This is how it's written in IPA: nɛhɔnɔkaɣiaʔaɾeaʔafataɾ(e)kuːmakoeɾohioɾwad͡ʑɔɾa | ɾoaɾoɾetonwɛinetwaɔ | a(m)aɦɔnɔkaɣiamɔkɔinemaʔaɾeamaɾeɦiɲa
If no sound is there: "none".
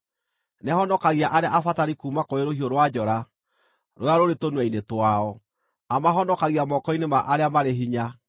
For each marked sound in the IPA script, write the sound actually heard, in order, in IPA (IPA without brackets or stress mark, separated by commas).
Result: i, m